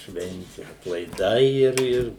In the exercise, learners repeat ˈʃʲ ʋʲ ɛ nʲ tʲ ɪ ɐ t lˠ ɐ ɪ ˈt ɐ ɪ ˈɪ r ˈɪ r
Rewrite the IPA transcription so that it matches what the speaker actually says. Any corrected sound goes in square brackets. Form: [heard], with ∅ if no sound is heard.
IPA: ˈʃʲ ʋʲ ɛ nʲ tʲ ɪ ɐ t lˠ ɐ ɪ [ˈd] ɐ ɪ ˈɪ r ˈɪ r